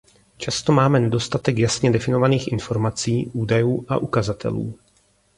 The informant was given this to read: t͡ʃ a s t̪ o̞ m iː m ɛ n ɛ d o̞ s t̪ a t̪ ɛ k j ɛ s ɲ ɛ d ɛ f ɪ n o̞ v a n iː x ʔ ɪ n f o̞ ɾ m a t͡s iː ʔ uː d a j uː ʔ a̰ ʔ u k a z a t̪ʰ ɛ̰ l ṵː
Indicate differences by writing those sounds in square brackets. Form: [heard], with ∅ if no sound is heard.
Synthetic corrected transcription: t͡ʃ a s t̪ o̞ m [aː] m ɛ n ɛ d o̞ s t̪ a t̪ ɛ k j [a] s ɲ ɛ d ɛ f ɪ n o̞ v a n iː x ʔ ɪ n f o̞ ɾ m a t͡s iː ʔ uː d a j uː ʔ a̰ ʔ u k a z a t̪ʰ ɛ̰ l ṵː